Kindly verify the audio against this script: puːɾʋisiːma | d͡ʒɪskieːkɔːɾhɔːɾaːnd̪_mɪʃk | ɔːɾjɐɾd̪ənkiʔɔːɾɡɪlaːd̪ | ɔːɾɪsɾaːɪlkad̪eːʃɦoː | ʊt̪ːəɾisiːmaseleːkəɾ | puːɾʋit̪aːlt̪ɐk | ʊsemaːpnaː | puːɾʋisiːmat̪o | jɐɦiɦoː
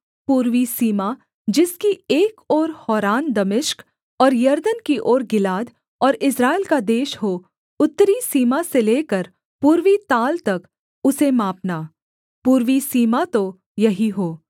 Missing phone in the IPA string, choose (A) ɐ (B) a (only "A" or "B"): A